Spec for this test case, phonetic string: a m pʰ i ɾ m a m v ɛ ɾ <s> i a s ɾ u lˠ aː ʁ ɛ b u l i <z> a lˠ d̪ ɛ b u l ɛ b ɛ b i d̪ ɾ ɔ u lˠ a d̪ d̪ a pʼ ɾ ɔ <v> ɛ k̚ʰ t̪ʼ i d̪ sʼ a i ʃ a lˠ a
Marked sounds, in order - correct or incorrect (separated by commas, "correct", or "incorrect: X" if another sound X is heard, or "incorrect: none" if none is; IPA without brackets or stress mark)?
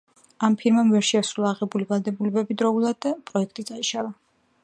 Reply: incorrect: ʃ, incorrect: v, incorrect: none